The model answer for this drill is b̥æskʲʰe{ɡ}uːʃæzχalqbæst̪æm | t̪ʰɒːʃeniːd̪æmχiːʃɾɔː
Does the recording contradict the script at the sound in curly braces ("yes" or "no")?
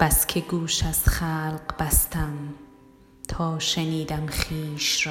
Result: no